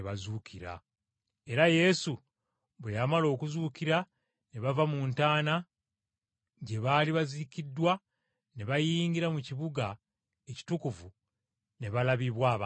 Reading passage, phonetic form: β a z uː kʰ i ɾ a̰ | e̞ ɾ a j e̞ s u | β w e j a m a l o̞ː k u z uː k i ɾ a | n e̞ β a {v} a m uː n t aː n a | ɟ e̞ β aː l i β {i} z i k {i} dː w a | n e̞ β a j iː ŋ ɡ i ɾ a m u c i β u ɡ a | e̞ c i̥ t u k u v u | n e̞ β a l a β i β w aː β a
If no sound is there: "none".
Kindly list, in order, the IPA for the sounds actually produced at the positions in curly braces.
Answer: v, a, i

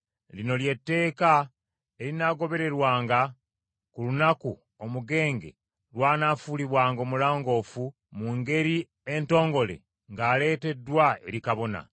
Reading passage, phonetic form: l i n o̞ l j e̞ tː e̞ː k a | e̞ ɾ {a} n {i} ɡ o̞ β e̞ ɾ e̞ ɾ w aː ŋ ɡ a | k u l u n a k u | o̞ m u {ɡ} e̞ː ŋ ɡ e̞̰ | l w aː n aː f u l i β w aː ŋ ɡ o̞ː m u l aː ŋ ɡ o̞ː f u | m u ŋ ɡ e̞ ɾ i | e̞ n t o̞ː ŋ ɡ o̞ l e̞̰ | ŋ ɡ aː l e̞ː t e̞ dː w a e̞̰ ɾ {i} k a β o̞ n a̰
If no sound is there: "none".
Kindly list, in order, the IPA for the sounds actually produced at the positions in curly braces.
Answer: i, a, ɡ, i

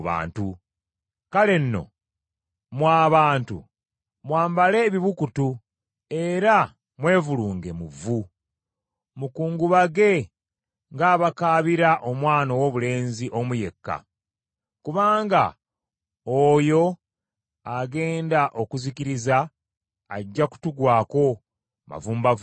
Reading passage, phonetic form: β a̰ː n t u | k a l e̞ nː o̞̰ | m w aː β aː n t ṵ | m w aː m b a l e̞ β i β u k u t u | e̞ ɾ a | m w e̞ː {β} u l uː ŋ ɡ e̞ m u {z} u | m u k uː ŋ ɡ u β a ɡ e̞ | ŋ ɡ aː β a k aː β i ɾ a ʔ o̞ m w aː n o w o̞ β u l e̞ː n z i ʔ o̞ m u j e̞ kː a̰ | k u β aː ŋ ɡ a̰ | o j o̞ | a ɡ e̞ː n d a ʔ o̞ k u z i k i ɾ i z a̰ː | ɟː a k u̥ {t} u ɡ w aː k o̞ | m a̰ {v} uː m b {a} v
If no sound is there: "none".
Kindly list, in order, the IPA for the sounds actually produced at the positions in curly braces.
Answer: v, v, t, v, a

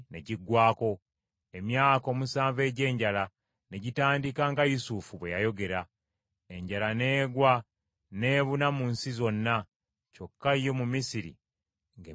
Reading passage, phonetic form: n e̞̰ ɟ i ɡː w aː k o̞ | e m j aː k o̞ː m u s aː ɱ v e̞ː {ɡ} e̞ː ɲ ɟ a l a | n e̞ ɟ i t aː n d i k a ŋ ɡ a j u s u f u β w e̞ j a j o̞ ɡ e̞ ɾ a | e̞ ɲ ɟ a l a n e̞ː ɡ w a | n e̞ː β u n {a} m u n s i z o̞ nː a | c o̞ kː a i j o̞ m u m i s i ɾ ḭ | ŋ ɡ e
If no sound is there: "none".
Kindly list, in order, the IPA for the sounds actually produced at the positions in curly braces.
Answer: ɟ, a

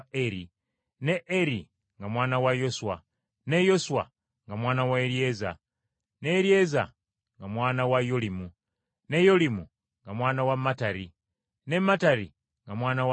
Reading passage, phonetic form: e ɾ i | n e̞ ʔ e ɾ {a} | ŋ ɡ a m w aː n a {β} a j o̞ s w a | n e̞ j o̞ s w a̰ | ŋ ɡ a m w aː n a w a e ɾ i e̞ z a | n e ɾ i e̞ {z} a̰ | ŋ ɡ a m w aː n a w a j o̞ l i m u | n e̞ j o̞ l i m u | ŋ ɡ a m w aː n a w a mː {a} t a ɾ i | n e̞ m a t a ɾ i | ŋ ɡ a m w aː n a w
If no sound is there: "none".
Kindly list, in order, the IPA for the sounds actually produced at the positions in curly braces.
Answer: i, w, z, a

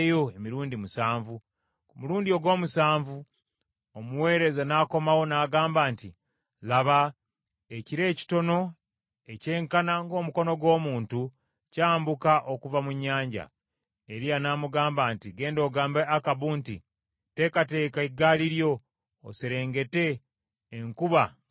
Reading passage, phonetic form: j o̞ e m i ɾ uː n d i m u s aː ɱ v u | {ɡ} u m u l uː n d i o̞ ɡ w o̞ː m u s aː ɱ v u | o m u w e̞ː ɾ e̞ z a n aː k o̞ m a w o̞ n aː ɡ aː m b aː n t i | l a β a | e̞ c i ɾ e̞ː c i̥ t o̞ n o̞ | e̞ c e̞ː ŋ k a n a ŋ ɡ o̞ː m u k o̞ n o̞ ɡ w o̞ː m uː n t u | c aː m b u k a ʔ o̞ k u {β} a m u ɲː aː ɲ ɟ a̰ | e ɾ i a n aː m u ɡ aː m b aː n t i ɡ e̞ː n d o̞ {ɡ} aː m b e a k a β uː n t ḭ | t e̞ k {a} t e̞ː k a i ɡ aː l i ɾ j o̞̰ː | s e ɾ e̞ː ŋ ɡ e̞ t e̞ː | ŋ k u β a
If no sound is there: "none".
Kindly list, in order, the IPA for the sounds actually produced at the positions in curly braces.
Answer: k, v, ɡ, a

